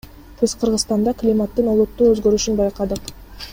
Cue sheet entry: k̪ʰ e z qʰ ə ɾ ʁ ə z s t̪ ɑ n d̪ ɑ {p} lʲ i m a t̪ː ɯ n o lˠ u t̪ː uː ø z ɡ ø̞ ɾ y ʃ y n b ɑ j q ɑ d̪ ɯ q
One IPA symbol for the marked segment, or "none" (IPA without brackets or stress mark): k